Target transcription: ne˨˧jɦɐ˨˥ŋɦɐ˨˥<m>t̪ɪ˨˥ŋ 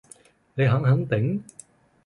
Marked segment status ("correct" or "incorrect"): incorrect